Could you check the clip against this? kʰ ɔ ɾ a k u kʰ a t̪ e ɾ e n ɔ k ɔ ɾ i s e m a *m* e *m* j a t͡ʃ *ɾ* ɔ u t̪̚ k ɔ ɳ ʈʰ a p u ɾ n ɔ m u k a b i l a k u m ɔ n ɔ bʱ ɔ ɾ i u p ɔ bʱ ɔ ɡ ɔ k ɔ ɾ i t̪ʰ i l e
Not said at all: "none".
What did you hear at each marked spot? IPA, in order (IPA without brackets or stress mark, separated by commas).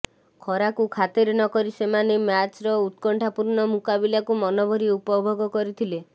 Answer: n, m, ɾ